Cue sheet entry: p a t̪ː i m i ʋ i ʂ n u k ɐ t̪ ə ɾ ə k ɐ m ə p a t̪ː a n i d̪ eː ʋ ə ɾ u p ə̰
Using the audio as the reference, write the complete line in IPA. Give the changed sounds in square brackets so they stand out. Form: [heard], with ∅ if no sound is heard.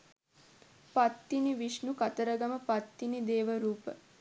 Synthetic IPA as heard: p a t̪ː i [n] i ʋ i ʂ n u k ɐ t̪ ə ɾ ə [ɡ] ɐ m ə p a t̪ː [i] n i d̪ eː ʋ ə ɾ [uː] p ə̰